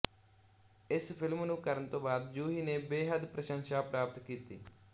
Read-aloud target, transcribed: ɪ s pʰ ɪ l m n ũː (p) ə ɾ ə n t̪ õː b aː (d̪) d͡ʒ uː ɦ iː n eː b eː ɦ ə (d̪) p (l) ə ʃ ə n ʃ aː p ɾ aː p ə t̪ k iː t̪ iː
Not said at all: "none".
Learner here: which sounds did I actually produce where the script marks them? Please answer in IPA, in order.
k, d̪, d̪, ɾ

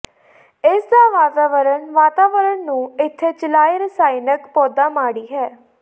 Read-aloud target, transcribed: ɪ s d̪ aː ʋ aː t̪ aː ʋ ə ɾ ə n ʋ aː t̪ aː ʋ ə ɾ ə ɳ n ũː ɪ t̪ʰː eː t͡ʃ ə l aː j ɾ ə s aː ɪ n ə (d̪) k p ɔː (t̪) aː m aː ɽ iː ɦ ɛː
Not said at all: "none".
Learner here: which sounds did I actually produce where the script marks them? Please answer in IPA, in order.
none, d̪

